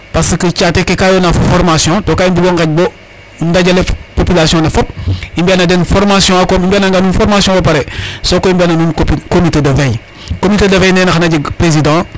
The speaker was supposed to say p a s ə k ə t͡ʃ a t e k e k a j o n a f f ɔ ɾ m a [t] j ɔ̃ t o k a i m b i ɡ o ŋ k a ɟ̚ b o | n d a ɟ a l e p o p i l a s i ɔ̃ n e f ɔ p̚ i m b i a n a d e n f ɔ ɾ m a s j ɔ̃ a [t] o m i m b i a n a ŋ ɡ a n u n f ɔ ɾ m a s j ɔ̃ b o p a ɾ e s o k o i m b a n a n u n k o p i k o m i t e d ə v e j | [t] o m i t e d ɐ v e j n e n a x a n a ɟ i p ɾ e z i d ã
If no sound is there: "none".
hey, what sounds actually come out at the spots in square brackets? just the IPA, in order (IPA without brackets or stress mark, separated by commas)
s, k, k